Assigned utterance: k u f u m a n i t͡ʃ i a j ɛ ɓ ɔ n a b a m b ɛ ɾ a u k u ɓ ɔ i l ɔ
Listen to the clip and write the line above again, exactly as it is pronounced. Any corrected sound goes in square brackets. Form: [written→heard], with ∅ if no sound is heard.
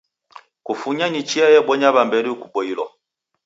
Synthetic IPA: k u f u [m→ɲ] a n i t͡ʃ i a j ɛ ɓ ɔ [n→ɲ] a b a m b ɛ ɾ [a→i] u k u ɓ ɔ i l ɔ